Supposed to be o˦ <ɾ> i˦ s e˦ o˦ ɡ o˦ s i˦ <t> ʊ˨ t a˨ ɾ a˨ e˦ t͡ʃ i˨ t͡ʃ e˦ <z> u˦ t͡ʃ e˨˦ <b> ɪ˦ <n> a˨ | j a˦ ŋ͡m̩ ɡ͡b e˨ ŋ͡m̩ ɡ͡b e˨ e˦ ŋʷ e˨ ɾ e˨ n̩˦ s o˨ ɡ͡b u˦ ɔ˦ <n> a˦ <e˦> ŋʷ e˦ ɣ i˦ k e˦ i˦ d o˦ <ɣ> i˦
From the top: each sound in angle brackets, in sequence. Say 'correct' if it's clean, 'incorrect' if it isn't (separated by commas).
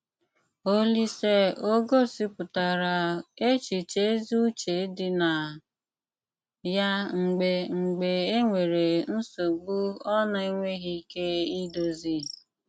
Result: incorrect, incorrect, correct, incorrect, correct, correct, incorrect, incorrect